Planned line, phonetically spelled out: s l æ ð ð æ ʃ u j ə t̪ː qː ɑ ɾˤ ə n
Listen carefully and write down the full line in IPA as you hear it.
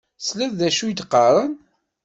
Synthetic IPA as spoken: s l æ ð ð æ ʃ u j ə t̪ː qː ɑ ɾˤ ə n

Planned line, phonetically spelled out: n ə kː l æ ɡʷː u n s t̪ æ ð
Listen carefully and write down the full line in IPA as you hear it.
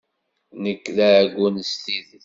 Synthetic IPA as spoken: n ə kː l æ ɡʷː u n s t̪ i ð

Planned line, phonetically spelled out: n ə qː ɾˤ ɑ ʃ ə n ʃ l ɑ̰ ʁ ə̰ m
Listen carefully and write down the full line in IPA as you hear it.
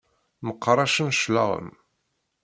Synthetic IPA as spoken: m ə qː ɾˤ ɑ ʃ ə n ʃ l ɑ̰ ʁ ə̰ m

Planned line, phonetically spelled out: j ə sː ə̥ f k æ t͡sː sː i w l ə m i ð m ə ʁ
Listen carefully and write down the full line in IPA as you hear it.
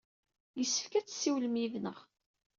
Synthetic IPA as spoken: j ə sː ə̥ f k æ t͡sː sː i w l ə m i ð n ə ʁ

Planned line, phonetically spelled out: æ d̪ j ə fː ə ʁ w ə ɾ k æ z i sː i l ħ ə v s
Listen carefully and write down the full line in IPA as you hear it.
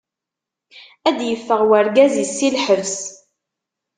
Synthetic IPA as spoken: æ d̪ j ə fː ə ʁ w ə ɾ ɡ æ z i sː i l ħ ə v s

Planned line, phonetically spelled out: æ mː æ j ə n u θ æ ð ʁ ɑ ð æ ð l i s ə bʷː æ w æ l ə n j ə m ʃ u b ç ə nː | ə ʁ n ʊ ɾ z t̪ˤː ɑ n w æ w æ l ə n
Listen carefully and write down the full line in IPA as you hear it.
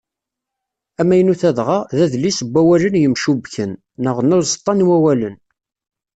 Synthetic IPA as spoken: æ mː æ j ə n u θ æ ð ʁ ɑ ð æ ð l i s ə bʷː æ w æ l ə n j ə m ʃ u b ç ə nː | ə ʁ n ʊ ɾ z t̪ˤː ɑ n w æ w æ l ə n

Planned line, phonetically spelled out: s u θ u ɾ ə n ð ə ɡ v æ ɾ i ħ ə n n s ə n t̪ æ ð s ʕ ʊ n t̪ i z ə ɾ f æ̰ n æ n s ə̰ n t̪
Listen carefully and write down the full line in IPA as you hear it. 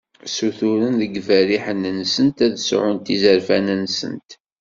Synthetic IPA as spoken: s u θ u ɾ ə n ð ə ɡ v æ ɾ i ħ ə n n s ə n t̪ æ ð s ʕ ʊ n t̪ i z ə ɾ f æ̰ n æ n s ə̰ n t̪

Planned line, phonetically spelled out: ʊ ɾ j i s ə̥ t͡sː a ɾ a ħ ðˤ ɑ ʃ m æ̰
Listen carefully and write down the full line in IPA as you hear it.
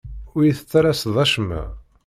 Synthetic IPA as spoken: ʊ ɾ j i θ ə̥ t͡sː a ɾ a s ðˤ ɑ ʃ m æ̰

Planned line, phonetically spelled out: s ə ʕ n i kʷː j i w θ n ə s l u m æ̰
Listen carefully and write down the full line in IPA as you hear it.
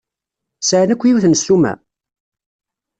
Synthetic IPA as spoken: s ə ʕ n æ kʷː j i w θ n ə s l u m æ̰

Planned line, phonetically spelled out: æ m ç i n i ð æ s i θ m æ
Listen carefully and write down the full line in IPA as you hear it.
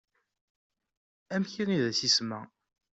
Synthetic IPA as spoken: æ m ç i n i ð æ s i s m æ

